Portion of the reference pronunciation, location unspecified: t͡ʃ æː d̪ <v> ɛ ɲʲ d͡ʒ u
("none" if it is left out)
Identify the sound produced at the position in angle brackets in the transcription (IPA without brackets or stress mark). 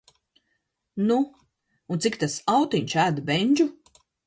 b